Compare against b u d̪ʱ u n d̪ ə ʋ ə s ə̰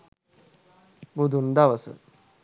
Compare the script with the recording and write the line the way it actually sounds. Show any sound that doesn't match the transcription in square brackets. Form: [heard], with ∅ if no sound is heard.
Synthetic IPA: b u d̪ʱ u n d̪ [a] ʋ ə s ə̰